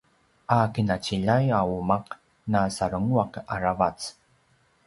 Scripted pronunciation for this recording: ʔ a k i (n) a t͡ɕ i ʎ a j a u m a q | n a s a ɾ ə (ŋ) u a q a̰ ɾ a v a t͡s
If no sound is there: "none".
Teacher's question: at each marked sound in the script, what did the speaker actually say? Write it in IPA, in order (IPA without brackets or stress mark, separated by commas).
n, ŋ